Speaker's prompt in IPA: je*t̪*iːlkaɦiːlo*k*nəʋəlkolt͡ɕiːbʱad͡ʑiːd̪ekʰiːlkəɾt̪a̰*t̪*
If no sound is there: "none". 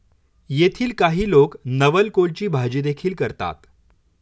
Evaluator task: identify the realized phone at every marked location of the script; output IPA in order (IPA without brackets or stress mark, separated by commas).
t̪ʰ, k, t̪